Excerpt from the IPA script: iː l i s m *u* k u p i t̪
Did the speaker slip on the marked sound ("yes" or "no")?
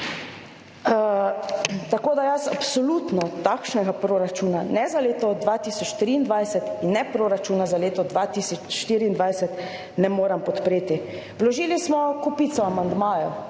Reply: yes